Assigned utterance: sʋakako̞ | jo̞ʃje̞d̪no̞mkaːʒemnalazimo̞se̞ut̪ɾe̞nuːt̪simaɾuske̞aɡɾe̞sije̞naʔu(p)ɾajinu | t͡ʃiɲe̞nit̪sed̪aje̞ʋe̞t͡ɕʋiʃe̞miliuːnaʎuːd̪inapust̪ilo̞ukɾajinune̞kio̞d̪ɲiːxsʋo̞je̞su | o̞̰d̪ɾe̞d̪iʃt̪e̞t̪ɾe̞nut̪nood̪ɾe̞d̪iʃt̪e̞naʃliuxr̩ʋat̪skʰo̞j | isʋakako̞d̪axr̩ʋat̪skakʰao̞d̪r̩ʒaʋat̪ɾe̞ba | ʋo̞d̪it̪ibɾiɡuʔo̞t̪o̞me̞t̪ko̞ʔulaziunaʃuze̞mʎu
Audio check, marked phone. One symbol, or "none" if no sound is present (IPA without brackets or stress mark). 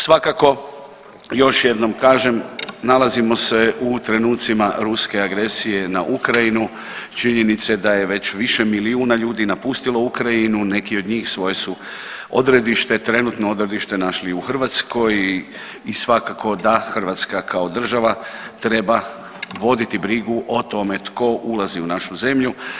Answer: k